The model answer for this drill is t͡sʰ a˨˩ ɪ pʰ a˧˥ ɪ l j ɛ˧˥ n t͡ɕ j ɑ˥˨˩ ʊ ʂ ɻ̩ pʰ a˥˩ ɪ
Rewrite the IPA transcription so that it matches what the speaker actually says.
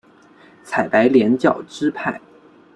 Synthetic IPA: t͡sʰ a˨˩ ɪ p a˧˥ ɪ l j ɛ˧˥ n t͡ɕ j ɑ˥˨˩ ʊ ʈ͡ʂ ɻ̩ pʰ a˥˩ ɪ